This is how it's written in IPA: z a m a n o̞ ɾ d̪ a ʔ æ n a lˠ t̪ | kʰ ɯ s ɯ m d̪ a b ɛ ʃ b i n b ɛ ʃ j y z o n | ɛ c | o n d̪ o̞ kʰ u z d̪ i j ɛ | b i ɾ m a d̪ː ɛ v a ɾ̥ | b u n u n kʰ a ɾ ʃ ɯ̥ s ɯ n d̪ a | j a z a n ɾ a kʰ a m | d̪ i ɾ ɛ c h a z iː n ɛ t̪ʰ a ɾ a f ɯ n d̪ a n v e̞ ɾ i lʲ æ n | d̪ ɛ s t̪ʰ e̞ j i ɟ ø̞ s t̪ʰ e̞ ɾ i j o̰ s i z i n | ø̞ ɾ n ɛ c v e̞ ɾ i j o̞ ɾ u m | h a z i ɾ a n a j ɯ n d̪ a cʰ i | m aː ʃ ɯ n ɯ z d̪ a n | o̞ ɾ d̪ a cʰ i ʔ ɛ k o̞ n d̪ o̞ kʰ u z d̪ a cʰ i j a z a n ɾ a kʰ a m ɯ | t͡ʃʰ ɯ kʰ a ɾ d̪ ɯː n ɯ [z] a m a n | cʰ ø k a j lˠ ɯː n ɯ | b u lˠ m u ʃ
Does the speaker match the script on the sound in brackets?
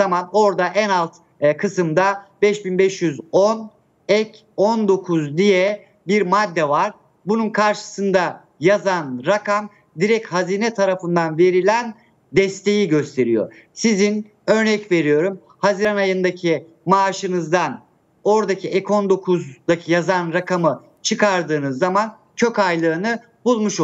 no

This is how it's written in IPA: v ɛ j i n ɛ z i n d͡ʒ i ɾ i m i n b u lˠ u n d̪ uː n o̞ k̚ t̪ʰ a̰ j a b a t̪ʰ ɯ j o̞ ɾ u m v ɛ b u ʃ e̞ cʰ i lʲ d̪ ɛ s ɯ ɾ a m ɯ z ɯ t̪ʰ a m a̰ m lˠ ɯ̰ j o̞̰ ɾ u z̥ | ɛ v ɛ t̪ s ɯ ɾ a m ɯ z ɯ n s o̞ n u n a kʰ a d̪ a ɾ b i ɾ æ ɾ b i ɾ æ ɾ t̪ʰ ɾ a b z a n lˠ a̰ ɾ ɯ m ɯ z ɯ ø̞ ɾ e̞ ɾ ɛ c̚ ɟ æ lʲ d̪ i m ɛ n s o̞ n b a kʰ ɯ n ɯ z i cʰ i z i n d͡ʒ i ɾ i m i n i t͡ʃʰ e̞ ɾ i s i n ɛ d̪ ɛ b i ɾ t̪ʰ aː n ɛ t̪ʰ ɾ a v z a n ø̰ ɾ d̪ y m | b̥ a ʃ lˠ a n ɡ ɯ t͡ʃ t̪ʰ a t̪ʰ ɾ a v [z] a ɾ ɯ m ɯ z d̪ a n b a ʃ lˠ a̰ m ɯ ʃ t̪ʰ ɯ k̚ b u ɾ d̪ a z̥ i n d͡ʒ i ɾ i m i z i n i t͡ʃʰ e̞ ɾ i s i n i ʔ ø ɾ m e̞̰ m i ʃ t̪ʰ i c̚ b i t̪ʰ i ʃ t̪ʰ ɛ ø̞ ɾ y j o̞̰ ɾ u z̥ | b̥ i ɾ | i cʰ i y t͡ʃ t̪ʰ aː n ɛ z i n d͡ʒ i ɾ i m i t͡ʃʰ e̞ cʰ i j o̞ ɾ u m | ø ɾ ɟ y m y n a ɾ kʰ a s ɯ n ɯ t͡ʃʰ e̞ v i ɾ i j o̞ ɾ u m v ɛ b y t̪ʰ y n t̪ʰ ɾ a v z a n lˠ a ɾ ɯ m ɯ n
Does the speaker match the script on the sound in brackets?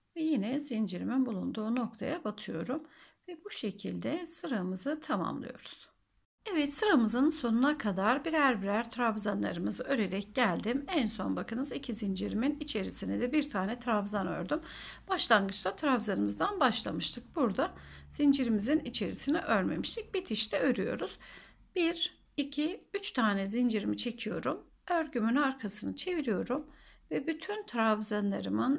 yes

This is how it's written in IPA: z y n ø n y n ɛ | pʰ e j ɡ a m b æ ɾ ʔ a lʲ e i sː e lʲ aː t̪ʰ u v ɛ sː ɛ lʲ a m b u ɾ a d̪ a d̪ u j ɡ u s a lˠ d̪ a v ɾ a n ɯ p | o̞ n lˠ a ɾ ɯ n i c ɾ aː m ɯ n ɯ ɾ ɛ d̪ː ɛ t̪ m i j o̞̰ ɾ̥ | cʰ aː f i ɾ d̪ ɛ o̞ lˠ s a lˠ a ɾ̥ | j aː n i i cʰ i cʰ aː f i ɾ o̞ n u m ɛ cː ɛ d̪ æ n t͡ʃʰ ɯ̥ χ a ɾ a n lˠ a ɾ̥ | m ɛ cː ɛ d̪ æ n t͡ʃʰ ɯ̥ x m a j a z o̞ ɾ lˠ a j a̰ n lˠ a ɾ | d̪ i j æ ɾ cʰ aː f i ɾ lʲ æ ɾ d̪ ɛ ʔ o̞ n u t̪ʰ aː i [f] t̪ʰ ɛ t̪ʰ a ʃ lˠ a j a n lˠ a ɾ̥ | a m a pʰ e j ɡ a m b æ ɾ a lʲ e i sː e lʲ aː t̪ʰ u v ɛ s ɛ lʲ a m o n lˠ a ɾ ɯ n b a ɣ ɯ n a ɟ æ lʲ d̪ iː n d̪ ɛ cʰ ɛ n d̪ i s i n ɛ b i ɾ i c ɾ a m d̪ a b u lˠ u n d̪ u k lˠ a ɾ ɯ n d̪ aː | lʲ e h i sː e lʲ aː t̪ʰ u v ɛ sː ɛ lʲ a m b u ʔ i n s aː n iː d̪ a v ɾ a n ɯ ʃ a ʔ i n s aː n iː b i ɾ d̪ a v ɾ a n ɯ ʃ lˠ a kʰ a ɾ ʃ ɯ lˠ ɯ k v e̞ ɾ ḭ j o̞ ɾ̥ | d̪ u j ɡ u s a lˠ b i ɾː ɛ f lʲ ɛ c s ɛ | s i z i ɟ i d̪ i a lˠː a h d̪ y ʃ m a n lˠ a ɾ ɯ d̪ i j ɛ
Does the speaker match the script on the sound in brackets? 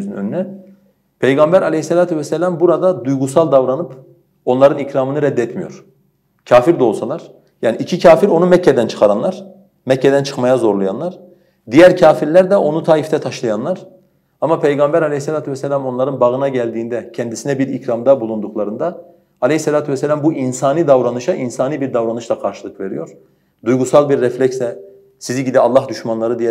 yes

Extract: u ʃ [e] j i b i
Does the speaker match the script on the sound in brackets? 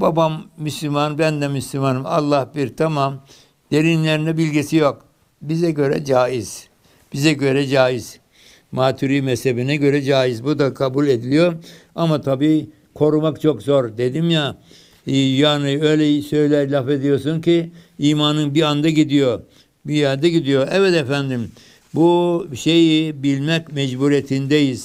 yes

